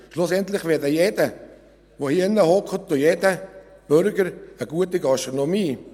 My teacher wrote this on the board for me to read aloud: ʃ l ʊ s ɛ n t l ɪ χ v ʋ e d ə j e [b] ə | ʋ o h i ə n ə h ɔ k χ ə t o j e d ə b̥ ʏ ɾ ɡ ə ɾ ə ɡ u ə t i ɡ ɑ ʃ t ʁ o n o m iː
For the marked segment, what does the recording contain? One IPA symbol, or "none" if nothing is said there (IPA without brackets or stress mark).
d